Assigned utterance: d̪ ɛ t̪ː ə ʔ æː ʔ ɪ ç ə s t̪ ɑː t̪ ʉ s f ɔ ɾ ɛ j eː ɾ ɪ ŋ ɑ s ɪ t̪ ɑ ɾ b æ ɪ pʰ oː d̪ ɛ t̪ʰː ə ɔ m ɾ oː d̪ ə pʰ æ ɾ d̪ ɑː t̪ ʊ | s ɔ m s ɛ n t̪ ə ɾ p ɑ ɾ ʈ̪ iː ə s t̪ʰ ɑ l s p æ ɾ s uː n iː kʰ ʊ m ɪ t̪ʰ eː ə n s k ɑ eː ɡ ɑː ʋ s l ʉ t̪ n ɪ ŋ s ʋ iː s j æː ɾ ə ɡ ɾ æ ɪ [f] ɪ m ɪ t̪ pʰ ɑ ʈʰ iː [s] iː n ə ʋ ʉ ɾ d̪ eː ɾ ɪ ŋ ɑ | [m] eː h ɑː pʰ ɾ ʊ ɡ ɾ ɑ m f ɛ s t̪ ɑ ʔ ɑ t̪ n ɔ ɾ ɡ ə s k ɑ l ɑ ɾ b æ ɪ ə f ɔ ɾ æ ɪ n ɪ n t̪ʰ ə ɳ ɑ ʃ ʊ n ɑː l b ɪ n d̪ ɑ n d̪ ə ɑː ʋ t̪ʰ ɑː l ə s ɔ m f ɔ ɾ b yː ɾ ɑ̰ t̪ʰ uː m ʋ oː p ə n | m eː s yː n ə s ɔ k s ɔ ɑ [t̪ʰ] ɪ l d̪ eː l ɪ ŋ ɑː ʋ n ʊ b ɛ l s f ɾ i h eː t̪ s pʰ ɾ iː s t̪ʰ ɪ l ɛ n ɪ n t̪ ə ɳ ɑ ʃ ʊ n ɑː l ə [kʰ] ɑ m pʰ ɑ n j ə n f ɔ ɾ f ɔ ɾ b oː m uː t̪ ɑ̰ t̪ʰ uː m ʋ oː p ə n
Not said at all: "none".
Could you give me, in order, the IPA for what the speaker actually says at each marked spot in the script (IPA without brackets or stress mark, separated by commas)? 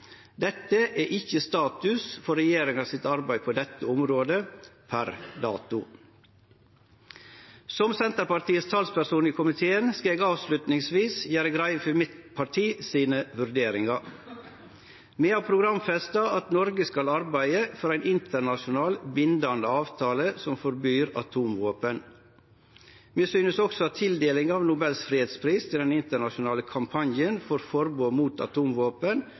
f, s, m, t̪ʰ, kʰ